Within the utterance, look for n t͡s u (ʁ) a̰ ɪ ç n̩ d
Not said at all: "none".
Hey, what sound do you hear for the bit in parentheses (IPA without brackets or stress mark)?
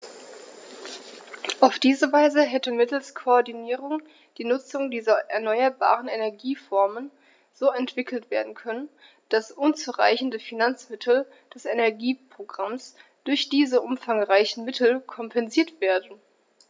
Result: ʁ